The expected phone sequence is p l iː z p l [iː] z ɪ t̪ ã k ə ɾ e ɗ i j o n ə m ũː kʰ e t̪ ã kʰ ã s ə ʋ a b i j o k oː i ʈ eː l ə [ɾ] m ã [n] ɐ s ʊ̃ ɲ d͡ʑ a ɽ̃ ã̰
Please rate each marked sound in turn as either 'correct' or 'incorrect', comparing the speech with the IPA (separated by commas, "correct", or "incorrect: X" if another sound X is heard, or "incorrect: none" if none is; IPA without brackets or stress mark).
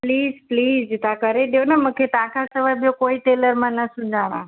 correct, correct, correct